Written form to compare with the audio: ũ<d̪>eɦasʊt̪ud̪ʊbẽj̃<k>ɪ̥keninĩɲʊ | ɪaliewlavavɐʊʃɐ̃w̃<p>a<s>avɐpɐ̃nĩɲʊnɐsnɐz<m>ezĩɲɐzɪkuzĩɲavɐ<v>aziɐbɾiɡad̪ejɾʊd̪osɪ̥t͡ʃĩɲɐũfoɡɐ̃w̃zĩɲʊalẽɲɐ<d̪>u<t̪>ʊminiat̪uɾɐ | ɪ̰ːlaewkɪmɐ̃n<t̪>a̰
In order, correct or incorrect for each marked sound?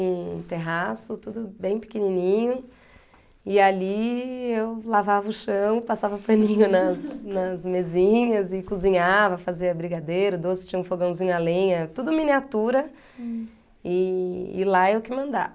incorrect: t̪, incorrect: p, correct, correct, correct, incorrect: f, incorrect: t̪, incorrect: d̪, incorrect: d̪

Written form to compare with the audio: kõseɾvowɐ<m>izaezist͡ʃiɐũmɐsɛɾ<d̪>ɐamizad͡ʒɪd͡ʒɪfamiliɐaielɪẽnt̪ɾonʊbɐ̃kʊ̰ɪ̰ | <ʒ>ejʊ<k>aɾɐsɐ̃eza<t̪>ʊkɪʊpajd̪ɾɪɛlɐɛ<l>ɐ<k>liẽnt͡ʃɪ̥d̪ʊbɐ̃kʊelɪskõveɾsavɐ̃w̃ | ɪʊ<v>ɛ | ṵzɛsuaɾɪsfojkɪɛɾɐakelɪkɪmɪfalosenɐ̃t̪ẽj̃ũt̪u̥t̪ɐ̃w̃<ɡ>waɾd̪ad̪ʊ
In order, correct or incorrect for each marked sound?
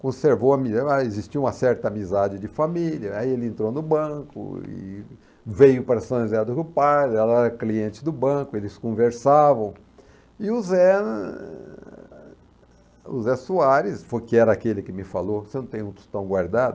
correct, incorrect: t̪, incorrect: v, incorrect: p, incorrect: d̪, incorrect: ɾ, correct, incorrect: z, correct

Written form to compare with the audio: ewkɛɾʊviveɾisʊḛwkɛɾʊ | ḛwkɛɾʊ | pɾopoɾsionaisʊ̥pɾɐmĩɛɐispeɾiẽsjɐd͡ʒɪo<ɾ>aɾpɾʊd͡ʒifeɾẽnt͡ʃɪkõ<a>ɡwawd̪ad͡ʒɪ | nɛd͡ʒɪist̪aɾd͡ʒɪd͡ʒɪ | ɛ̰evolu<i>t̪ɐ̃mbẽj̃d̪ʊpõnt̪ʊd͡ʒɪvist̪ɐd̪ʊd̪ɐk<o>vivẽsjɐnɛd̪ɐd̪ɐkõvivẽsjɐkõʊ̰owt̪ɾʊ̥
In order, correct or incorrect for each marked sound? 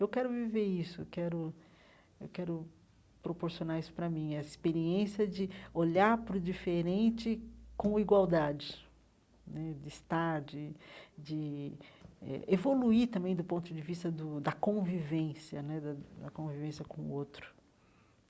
incorrect: ʎ, incorrect: i, correct, incorrect: õ

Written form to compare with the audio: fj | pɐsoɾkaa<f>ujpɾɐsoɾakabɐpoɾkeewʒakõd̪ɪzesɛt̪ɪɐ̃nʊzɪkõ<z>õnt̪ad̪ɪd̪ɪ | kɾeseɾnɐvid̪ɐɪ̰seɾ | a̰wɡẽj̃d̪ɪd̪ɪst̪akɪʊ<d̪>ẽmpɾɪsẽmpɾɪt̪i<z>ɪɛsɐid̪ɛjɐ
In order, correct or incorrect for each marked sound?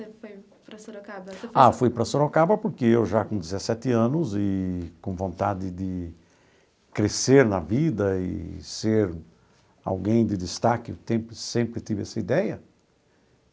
correct, incorrect: v, incorrect: t̪, incorrect: v

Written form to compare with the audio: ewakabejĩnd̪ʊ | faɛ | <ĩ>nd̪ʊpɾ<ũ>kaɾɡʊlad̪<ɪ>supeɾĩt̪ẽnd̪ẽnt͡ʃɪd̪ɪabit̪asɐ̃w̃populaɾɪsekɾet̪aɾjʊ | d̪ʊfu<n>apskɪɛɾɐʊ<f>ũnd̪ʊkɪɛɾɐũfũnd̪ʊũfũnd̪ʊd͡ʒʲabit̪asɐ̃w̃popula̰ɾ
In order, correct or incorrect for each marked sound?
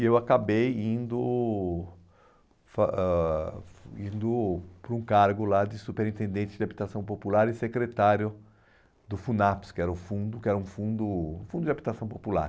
correct, correct, correct, correct, correct

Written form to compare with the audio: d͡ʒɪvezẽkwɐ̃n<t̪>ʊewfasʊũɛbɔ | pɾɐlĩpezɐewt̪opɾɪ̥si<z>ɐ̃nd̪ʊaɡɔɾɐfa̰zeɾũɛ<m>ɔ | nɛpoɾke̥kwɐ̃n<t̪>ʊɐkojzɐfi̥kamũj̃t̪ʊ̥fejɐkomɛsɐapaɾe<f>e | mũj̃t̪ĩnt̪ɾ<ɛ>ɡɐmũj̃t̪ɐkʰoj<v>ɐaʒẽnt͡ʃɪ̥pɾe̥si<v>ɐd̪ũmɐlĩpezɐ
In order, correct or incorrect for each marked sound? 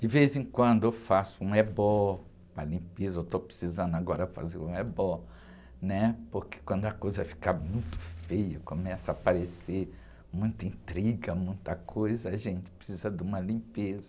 incorrect: d̪, correct, incorrect: b, incorrect: d̪, incorrect: s, incorrect: i, incorrect: z, incorrect: z

